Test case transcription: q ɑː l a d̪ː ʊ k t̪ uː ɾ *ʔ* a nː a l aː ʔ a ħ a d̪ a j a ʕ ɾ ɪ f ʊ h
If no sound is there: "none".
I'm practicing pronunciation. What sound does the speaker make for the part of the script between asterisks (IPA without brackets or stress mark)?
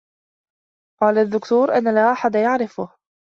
ʔ